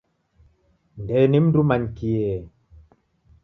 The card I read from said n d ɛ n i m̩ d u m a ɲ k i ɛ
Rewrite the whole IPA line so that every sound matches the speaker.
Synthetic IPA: n d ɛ n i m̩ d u m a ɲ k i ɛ